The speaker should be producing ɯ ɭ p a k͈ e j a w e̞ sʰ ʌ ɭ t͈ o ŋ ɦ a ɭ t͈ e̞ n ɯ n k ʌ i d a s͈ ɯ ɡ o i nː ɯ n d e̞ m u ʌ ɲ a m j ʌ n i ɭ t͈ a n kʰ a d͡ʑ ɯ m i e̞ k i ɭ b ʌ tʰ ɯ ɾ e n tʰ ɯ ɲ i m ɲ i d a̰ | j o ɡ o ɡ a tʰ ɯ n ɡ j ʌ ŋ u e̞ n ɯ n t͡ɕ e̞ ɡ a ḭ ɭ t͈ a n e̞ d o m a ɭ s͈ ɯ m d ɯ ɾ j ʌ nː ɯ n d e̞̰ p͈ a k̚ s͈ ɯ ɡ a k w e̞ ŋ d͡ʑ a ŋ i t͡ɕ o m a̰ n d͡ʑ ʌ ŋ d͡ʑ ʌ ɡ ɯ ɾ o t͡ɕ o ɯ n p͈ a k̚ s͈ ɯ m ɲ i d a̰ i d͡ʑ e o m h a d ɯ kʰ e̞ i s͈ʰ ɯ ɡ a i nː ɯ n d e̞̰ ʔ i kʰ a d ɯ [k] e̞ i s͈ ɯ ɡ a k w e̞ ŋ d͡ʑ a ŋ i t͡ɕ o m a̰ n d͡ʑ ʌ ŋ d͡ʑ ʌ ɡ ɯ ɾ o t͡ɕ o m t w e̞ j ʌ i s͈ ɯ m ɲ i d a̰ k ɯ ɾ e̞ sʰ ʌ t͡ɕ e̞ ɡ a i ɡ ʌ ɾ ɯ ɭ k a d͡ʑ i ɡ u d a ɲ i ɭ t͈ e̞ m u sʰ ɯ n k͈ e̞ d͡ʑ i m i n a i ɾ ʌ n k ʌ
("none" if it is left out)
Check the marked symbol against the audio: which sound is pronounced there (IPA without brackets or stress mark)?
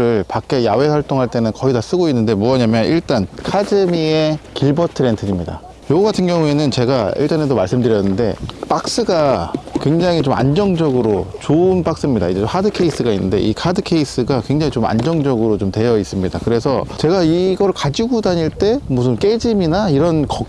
kʰ